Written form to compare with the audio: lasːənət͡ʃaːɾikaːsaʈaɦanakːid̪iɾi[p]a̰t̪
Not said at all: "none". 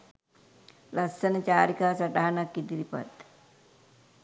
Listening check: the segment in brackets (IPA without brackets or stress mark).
p